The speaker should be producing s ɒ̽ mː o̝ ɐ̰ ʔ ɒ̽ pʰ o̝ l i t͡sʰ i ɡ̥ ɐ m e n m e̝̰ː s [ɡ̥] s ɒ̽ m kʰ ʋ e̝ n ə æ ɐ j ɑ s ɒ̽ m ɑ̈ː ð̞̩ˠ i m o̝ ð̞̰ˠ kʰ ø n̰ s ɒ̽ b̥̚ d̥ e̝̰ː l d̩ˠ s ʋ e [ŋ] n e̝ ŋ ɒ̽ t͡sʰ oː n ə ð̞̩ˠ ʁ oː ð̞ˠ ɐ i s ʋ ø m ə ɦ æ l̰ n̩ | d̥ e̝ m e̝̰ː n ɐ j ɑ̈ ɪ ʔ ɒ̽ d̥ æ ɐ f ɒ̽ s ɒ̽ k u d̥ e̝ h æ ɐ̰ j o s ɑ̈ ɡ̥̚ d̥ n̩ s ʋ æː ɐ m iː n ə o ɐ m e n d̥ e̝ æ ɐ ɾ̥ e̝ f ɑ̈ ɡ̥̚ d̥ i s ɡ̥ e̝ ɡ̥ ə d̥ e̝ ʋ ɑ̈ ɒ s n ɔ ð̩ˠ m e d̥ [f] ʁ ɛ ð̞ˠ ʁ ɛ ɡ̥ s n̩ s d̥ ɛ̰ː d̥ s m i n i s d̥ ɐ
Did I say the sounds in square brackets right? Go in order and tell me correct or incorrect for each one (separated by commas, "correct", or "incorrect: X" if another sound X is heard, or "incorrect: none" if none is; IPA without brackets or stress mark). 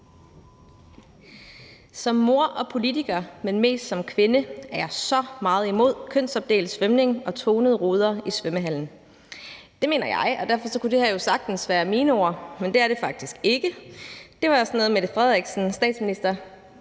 incorrect: d̥, incorrect: m, correct